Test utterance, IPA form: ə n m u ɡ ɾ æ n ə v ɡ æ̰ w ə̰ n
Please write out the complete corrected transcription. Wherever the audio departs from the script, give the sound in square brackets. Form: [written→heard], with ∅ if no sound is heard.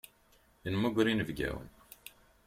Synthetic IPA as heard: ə n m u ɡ ɾ [æ→i] n ə v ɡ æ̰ w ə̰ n